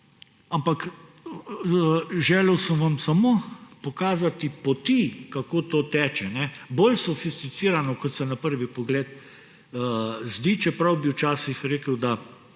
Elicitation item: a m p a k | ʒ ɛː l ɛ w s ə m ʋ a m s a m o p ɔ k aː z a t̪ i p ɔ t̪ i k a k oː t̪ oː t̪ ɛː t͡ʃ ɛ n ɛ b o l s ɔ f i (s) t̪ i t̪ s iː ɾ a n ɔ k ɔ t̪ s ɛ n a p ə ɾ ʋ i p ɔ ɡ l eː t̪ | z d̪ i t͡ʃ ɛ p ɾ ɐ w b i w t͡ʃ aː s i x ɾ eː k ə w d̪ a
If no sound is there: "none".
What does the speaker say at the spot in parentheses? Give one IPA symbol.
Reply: s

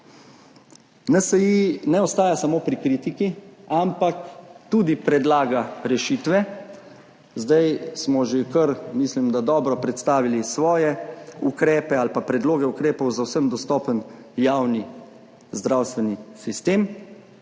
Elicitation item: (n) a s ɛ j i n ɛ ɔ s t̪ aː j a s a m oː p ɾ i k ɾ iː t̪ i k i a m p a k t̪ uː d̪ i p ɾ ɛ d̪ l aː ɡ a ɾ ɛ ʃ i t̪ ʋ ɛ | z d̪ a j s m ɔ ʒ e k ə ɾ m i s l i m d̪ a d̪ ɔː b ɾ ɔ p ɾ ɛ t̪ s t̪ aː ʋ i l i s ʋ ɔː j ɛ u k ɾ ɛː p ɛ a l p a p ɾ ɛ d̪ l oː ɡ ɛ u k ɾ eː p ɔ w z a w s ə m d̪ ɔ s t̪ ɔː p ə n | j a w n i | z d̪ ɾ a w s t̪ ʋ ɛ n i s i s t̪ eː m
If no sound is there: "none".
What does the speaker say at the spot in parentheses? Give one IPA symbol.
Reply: n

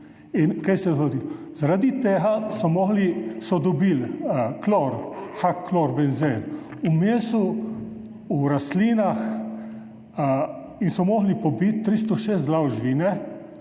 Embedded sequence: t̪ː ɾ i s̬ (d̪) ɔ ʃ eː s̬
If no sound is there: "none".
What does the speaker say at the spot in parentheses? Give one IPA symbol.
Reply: t̪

